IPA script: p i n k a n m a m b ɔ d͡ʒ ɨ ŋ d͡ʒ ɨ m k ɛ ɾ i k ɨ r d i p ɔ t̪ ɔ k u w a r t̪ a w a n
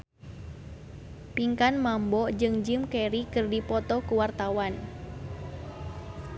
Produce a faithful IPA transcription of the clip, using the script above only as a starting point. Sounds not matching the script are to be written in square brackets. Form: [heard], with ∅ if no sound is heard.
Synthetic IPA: p i [ŋ] k a n m a m b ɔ d͡ʒ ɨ ŋ d͡ʒ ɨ m k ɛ ɾ i k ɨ r d i p ɔ t̪ ɔ k u w a r t̪ a w a n